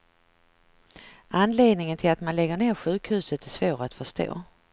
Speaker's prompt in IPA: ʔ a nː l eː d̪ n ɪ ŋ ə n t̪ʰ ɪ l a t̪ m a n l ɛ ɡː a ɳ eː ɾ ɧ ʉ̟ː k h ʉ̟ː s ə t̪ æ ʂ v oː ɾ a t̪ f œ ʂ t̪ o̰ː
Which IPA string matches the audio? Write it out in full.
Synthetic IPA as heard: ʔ a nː l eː d̪ n ɪ ŋ ə n t̪ʰ ɪ l a t̪ m a n l ɛ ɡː ə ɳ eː ɾ ɧ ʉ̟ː k h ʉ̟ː s ə t̪ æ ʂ v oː ɾ a t̪ f œ ʂ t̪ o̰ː